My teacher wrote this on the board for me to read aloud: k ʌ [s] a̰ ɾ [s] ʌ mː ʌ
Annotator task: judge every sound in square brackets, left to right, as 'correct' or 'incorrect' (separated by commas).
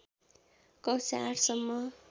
correct, correct